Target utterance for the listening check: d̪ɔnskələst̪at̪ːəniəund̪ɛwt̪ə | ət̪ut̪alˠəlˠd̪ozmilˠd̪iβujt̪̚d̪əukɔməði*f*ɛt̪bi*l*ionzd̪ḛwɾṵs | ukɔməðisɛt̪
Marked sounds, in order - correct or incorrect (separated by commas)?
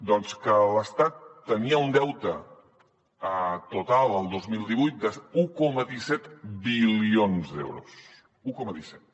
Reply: incorrect, correct